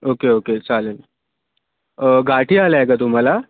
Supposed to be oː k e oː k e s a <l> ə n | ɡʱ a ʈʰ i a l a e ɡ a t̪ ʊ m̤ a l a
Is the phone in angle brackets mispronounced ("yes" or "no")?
no